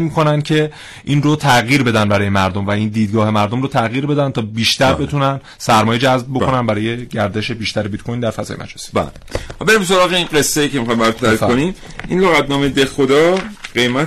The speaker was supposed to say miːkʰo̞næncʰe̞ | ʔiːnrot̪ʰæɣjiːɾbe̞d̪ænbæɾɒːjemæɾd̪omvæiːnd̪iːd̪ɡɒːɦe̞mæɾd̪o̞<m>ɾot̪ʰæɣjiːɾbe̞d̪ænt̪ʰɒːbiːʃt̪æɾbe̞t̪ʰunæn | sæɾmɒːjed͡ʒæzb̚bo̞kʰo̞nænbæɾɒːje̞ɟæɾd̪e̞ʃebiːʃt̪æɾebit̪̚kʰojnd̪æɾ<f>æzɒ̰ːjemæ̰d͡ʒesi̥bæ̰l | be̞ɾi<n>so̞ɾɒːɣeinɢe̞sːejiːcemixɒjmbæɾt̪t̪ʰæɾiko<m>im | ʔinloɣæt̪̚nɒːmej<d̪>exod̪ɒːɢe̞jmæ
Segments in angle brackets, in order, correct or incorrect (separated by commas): correct, correct, incorrect, incorrect, correct